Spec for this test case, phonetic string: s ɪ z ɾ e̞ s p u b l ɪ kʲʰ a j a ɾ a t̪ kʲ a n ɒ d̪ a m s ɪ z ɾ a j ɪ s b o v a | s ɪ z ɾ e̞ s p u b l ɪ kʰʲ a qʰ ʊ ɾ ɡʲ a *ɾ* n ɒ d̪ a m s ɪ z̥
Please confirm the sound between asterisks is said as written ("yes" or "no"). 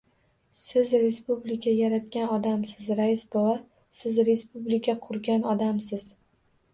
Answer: no